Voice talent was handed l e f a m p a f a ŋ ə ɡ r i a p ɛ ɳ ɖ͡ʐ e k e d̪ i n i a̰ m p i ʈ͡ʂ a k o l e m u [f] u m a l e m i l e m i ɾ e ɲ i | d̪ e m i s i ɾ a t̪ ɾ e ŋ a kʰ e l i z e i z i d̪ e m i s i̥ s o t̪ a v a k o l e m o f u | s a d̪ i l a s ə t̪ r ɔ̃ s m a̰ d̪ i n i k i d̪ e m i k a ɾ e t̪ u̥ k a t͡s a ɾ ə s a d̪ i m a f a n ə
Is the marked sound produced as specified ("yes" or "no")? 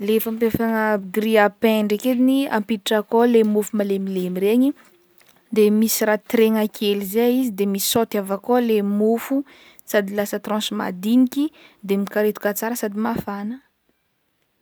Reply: yes